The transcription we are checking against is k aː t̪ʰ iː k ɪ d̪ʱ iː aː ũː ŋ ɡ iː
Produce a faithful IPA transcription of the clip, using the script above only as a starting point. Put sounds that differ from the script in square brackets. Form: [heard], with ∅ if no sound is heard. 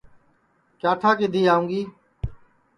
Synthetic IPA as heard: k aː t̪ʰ [aː] k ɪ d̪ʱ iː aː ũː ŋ ɡ iː